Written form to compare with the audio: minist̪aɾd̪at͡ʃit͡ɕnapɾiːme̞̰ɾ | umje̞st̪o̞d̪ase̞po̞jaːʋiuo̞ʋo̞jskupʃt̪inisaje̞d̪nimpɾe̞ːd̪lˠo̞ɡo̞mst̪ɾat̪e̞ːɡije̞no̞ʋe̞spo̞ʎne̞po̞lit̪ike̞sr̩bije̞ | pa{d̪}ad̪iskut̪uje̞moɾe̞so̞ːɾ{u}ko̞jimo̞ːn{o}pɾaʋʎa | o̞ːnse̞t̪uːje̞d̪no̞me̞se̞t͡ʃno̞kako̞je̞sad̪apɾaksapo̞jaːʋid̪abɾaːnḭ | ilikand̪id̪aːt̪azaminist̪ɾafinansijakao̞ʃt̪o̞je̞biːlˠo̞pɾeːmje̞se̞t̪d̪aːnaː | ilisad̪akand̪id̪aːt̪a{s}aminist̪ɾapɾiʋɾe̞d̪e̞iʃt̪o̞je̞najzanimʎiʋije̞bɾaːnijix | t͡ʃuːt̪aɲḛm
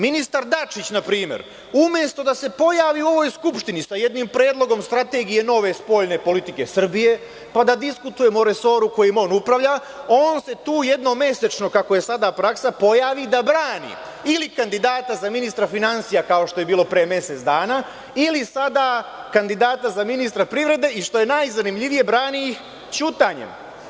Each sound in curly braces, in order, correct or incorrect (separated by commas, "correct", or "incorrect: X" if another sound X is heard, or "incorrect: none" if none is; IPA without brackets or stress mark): correct, correct, incorrect: u, incorrect: z